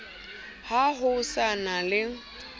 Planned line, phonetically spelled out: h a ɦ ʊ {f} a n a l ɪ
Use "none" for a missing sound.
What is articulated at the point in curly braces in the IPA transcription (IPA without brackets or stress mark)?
s